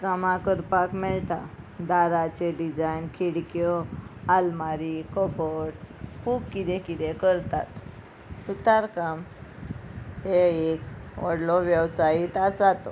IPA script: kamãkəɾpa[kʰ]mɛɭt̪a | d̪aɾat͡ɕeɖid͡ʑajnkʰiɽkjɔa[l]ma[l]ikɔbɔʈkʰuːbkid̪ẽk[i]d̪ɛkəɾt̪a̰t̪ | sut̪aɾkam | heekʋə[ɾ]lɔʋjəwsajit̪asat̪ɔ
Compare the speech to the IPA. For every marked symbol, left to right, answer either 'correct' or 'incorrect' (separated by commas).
incorrect, correct, incorrect, correct, incorrect